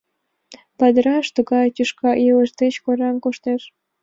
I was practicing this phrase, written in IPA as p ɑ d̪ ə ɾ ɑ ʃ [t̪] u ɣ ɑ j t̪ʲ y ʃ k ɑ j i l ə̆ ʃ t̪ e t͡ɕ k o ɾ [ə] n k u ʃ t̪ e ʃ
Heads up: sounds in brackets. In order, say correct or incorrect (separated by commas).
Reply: correct, incorrect